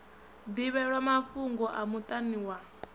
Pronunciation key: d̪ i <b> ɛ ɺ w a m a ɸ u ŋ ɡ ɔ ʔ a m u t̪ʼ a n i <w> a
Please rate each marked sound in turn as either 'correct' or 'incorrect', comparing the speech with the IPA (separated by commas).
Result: incorrect, correct